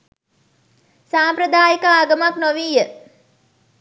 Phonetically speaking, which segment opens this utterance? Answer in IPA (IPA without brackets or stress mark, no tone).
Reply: s